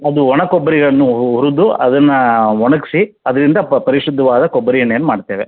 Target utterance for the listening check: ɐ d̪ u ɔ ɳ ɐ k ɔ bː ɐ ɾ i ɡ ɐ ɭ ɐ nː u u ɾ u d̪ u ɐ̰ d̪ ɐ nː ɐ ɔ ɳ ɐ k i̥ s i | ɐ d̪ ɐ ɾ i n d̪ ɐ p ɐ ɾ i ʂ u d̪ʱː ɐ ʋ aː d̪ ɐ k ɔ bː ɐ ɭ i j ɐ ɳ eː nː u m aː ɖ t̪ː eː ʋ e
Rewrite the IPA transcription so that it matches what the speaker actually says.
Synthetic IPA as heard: ɐ d̪ u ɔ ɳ ɐ k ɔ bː ɐ ɾ i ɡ ɐ ɭ ɐ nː u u ɾ u d̪ u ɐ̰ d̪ ɐ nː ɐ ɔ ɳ ɐ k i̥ s i | ɐ d̪ ɐ ɾ i n d̪ ɐ p ɐ ɾ i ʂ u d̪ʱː ɐ ʋ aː d̪ ɐ k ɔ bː ɐ ɾ i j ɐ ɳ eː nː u m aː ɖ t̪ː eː ʋ e